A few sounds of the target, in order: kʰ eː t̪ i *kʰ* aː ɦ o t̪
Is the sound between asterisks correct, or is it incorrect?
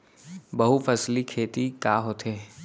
incorrect